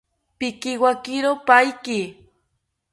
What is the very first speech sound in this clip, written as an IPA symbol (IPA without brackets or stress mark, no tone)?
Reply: p